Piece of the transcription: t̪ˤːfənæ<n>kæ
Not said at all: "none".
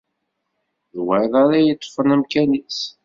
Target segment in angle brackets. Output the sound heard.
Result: m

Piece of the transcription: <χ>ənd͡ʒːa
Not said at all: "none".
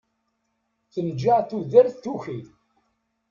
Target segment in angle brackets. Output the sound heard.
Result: θ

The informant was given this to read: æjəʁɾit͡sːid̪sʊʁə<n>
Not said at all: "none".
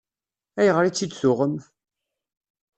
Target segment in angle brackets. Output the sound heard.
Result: m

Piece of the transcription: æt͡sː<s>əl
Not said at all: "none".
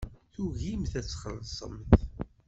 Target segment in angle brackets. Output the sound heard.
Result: χ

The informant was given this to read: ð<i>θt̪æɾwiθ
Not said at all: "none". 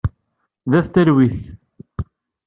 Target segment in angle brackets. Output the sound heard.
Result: æ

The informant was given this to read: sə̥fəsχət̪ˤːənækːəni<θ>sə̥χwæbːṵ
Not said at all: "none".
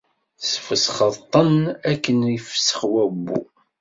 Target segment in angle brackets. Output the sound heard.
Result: f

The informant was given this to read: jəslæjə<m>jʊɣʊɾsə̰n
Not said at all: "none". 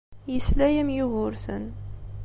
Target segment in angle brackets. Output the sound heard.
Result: m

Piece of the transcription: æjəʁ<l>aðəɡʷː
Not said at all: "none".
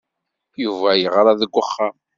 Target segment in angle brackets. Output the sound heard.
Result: ɾ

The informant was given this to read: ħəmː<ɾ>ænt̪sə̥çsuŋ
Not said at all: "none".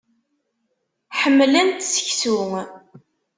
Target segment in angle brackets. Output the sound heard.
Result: l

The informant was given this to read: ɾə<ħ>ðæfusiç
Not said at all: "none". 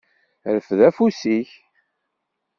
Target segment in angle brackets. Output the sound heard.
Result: f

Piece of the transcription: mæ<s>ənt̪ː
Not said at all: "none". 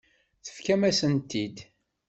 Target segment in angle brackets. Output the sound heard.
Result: s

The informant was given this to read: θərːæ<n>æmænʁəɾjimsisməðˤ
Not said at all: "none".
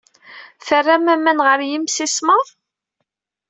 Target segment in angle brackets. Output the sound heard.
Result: m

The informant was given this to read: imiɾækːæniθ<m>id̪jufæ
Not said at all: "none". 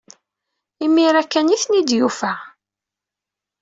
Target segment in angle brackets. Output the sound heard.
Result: n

